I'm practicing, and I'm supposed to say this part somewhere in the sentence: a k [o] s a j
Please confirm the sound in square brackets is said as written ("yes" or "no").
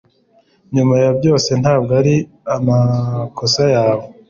yes